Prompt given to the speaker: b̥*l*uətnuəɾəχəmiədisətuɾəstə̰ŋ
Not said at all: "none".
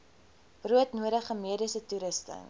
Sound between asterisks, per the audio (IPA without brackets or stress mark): r